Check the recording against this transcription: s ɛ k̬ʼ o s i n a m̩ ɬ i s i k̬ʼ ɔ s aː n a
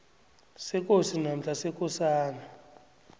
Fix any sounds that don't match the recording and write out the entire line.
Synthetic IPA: s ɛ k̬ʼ o s i n a m̩ ɬ a s ɛ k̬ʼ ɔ s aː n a